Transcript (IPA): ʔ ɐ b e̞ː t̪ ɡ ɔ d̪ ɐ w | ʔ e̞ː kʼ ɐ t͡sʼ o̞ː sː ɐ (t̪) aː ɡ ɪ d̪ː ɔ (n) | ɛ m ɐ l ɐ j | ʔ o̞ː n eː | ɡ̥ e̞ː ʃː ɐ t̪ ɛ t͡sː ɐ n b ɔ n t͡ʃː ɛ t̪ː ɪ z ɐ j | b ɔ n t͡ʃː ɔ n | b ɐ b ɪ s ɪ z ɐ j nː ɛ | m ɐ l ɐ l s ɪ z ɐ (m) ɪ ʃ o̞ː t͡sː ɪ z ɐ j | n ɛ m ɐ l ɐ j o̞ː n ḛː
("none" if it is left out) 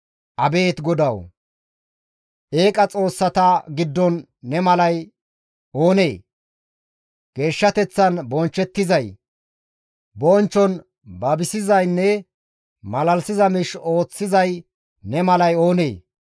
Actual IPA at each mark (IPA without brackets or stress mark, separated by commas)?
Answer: t̪, nː, m